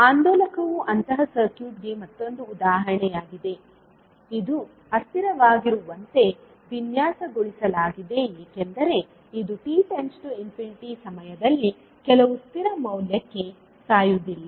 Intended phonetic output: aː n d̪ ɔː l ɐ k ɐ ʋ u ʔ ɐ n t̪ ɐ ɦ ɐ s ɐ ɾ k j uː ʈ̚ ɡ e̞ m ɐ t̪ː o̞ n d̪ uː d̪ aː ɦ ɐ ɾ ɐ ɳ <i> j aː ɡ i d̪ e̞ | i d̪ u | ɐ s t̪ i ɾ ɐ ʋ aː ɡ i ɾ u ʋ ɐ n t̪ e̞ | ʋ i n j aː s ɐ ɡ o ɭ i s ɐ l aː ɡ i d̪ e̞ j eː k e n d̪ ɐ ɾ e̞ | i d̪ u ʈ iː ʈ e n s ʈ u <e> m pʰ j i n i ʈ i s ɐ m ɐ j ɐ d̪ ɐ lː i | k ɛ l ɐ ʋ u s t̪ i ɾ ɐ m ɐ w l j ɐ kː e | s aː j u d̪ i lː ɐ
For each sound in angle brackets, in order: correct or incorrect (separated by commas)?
incorrect, incorrect